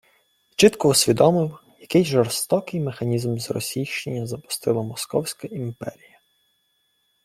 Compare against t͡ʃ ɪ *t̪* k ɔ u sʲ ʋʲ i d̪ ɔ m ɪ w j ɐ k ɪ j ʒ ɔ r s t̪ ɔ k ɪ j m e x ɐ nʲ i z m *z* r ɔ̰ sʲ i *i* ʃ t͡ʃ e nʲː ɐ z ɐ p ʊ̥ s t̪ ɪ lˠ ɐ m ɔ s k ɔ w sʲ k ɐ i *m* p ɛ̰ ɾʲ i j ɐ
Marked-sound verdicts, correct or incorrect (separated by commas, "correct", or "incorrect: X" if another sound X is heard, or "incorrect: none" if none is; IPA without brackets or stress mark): correct, correct, incorrect: j, correct